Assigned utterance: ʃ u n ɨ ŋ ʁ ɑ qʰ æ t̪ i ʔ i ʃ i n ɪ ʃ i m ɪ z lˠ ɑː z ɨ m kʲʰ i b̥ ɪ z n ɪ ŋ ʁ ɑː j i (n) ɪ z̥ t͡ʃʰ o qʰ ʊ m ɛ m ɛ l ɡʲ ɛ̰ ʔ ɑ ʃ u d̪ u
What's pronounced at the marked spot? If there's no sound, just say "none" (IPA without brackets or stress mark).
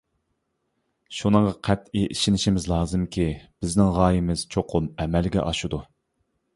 m